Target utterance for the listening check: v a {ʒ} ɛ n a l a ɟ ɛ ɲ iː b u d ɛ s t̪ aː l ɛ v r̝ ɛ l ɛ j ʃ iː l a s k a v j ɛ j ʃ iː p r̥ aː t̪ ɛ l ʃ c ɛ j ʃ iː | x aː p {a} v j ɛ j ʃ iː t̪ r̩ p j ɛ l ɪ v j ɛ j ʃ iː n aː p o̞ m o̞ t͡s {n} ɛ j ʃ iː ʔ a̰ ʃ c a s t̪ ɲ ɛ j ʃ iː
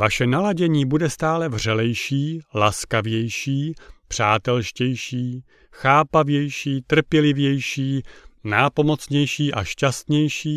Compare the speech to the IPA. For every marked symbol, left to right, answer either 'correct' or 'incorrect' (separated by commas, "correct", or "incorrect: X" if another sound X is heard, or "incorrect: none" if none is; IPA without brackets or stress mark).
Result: incorrect: ʃ, correct, incorrect: ɲ